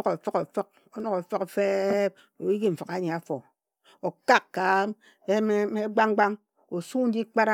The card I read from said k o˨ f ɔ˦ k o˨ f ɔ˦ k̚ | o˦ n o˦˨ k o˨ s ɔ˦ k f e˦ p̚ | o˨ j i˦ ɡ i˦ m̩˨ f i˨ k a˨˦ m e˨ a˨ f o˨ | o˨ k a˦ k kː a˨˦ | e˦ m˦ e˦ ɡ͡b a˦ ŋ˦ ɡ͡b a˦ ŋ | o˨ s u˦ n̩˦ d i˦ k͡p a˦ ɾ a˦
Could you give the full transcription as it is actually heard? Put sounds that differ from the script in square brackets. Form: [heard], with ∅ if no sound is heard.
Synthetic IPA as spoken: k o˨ f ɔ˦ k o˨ f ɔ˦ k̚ | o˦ n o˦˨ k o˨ [f] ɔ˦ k f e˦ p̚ | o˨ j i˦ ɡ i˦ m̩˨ f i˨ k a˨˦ [ɲ] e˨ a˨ f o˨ | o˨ k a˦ k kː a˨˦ | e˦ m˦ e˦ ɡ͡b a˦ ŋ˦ ɡ͡b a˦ ŋ | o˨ s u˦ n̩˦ d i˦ k͡p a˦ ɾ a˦